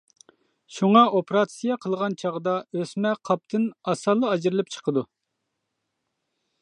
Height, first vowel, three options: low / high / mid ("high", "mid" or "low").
high